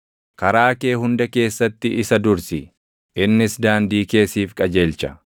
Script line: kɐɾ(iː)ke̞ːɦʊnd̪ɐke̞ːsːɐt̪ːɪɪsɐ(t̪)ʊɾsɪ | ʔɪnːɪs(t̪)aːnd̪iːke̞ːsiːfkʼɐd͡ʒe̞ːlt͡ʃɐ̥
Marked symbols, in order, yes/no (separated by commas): no, no, no